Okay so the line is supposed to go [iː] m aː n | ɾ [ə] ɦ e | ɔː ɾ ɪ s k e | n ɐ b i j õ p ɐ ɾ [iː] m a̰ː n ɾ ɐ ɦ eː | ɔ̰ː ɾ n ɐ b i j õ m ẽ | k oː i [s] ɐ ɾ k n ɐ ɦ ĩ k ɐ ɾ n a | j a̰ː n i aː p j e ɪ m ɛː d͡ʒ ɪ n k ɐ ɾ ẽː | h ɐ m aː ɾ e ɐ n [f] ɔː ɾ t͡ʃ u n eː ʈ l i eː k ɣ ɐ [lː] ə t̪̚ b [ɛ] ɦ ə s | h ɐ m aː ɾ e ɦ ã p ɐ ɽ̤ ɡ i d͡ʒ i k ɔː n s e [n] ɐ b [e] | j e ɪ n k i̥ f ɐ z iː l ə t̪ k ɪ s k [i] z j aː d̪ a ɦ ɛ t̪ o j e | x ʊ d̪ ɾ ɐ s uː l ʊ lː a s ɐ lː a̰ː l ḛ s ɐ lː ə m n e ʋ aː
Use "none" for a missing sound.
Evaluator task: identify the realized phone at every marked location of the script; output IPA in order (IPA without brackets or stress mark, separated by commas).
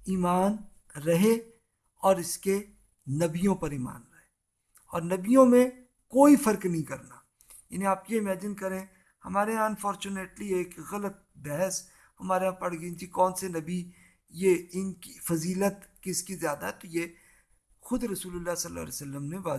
iː, ɐ, iː, f, f, l, ɛ, n, i, i